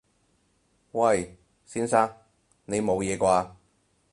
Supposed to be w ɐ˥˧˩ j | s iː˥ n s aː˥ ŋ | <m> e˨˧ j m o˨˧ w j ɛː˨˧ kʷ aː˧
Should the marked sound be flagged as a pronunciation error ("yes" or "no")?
yes